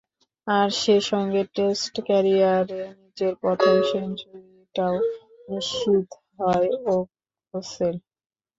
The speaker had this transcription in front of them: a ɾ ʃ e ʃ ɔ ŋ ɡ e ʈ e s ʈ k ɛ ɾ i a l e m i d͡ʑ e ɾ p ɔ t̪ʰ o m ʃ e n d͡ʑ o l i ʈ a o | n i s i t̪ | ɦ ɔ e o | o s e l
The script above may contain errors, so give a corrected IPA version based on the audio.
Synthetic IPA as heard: a ɾ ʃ e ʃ ɔ ŋ ɡ e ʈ e s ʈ k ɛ ɾ i a ɾ e n i d͡ʑ e ɾ p ɔ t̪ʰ o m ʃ e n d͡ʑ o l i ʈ a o | n i ʃ i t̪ | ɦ ɔ e o | o s e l